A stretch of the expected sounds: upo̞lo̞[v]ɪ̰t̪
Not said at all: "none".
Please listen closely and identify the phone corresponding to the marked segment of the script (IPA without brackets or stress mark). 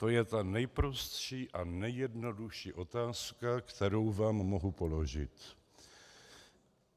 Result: ʒ